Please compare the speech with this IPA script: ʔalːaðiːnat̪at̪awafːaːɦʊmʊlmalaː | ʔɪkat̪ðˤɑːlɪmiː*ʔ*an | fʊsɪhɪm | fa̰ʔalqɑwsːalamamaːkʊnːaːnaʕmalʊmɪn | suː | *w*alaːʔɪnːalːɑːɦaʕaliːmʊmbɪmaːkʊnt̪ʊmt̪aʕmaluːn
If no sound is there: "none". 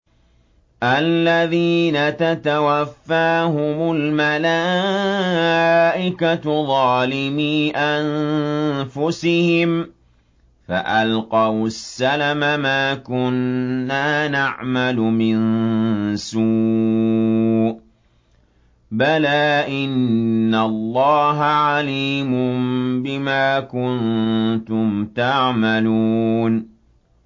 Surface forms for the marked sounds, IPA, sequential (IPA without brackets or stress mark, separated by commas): ʔ, b